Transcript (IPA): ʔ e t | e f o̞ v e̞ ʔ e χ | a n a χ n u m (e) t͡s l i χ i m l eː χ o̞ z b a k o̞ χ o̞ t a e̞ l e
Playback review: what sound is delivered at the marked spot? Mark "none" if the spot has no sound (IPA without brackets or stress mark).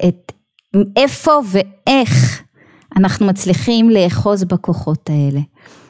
a